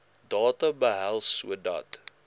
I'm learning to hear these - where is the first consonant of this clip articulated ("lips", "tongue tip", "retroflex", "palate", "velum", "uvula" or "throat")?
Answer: tongue tip